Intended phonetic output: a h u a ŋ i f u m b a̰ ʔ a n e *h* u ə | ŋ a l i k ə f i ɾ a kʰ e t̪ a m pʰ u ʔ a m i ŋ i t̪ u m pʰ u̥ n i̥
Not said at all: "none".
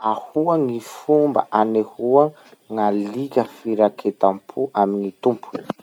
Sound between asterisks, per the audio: h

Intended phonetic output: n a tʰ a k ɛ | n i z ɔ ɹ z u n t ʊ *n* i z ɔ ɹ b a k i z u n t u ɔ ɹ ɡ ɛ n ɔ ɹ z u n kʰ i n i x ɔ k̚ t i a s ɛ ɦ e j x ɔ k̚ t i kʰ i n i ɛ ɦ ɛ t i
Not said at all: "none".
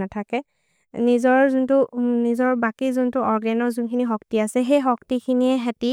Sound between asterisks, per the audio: n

